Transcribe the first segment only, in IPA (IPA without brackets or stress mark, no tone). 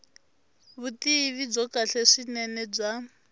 β